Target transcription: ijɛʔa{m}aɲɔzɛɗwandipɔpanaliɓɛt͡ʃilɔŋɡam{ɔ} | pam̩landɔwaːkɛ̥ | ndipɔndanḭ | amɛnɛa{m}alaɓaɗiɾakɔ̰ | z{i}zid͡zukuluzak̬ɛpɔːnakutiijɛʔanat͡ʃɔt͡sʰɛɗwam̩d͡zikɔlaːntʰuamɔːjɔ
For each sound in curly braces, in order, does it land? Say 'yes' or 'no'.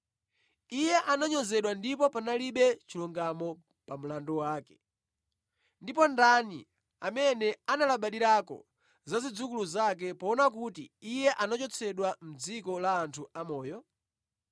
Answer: no, yes, no, no

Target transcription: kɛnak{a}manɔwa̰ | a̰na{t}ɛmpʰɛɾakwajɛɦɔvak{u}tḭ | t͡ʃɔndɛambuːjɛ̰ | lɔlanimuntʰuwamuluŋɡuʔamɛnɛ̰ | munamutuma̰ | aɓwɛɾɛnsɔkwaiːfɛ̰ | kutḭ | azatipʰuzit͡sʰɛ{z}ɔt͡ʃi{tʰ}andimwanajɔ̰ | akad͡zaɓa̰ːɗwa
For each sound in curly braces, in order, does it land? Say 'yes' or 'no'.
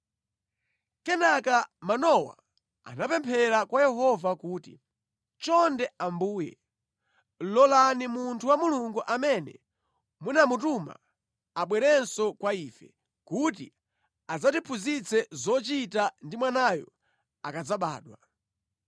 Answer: yes, no, no, yes, no

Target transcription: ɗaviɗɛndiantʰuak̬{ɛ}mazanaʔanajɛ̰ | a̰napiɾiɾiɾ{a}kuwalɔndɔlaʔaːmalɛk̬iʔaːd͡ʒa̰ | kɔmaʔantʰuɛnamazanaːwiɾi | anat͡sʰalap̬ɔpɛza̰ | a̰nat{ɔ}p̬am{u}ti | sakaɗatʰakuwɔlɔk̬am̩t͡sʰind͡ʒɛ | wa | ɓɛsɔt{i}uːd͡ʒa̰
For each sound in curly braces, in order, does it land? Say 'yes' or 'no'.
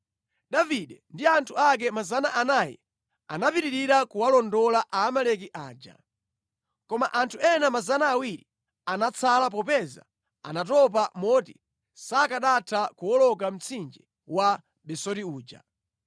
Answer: yes, yes, yes, no, yes

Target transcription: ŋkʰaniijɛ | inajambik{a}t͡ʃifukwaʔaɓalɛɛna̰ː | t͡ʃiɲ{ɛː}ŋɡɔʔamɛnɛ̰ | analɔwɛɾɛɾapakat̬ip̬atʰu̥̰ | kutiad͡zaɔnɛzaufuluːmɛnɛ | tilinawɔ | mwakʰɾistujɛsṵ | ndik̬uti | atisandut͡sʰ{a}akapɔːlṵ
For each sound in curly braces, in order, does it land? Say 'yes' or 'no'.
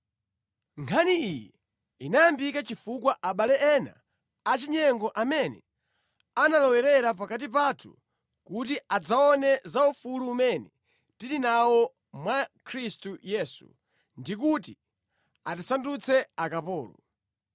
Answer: yes, no, no

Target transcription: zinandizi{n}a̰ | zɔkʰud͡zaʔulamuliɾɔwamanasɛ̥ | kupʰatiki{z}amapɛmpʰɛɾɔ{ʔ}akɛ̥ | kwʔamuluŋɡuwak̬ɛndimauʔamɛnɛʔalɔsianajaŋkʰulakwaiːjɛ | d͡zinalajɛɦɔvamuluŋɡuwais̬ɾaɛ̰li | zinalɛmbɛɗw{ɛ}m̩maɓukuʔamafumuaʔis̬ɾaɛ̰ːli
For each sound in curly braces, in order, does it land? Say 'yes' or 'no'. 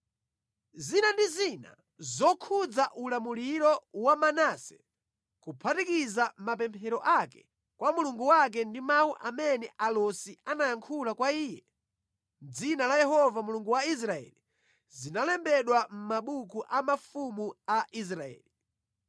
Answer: yes, yes, yes, no

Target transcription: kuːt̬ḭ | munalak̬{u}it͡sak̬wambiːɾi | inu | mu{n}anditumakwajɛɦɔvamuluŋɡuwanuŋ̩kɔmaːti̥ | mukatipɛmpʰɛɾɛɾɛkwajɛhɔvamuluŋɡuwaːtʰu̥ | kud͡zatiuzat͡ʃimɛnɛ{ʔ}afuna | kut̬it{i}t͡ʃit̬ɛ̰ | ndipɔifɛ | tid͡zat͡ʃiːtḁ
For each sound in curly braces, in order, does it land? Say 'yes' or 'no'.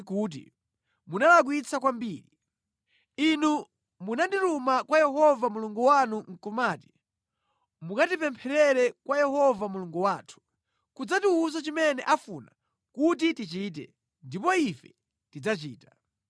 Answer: no, yes, yes, yes

